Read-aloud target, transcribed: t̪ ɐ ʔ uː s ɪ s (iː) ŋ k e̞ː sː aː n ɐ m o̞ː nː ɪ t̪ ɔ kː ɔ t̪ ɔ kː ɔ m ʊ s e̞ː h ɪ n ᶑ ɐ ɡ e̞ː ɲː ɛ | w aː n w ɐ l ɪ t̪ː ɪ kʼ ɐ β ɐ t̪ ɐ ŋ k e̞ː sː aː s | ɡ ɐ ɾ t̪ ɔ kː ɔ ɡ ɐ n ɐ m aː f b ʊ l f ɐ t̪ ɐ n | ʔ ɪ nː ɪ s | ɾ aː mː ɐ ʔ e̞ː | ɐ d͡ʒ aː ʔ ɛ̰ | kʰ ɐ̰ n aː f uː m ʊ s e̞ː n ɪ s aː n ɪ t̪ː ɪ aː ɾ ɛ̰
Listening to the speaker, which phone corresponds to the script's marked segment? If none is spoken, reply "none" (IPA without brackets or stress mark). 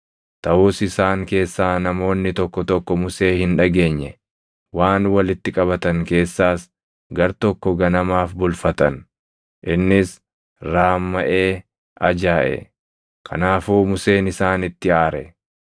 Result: aː